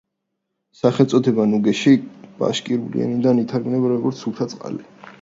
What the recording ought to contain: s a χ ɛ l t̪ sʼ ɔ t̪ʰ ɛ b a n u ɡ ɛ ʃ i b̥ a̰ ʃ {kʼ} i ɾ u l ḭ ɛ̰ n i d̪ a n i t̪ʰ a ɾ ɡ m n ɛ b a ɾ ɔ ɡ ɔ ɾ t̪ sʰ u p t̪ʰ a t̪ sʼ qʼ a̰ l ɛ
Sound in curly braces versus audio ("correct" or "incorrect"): correct